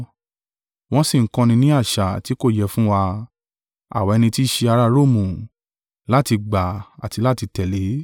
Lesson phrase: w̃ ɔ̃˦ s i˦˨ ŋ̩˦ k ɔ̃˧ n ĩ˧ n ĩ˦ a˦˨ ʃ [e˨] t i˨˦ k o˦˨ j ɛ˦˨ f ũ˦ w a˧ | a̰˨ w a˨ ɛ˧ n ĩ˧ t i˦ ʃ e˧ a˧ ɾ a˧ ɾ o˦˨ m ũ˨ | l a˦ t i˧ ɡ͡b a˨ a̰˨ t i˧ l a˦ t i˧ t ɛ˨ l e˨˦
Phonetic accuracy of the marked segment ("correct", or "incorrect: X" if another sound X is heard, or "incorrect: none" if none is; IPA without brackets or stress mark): incorrect: a˨